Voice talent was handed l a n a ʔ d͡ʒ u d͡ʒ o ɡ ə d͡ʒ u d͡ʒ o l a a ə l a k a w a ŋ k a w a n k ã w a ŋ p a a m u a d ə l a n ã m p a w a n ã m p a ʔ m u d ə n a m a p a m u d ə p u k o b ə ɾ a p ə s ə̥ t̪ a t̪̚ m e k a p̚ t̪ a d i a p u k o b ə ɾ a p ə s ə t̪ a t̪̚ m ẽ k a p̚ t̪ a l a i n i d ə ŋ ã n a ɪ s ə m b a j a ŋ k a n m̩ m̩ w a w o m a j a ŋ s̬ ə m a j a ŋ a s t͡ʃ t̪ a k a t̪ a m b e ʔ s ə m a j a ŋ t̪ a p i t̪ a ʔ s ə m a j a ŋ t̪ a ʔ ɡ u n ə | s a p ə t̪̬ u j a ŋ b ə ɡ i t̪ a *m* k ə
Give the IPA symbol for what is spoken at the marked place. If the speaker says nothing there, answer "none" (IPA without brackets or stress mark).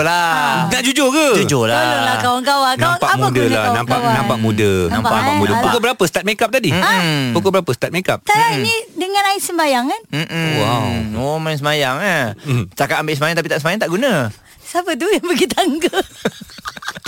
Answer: ŋ